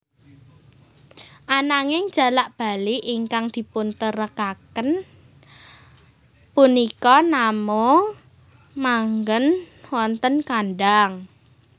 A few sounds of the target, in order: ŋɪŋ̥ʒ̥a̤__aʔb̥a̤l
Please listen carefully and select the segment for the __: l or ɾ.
l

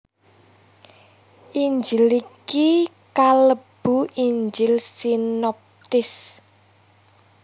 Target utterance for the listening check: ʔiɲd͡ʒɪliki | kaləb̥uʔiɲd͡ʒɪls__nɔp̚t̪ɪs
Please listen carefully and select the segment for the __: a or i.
i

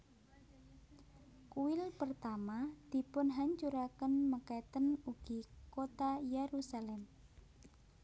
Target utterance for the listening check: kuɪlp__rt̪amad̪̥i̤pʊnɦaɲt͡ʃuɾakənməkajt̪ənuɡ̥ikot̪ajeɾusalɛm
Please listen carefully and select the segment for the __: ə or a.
ə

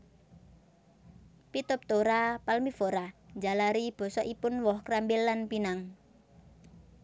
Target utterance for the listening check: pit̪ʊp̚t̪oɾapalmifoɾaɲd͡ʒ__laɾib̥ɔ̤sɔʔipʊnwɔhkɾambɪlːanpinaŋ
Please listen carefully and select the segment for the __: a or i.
a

